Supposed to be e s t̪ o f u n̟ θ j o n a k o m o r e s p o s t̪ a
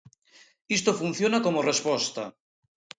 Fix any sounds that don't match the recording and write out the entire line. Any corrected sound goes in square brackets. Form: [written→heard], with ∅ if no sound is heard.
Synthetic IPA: [e→i] s t̪ o f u n̟ θ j o n a k o m o r e s p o s t̪ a